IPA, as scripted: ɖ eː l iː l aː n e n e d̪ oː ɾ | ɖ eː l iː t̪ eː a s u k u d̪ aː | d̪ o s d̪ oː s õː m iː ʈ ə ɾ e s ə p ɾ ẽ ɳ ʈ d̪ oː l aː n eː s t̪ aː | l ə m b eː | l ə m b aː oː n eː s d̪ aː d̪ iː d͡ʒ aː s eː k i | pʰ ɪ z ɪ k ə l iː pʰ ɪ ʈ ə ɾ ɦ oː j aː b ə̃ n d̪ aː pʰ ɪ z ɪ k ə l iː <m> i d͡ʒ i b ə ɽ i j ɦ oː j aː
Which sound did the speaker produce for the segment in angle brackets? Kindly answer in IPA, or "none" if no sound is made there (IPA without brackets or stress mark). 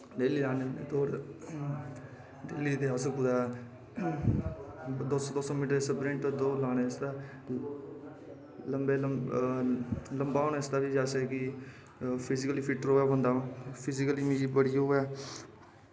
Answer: m